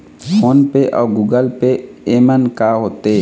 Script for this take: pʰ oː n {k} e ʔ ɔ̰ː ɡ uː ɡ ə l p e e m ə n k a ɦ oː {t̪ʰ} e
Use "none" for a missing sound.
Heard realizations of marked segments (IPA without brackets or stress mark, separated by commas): p, t̪